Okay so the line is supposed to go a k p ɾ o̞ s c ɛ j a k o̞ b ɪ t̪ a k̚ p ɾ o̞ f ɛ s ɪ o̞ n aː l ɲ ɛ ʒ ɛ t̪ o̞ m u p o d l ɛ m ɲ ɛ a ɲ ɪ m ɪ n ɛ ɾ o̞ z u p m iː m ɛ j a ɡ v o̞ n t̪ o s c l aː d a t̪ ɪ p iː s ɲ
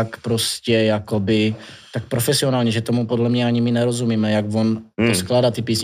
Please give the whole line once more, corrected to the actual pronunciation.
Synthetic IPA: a k p ɾ o̞ s c ɛ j a k o̞ b ɪ t̪ a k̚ p ɾ o̞ f ɛ s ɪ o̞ n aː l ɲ ɛ ʒ ɛ t̪ o̞ m u p o d l ɛ m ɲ ɛ a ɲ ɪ m ɪ n ɛ ɾ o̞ z u m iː m ɛ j a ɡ v o̞ n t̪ o s k l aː d a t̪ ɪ p iː s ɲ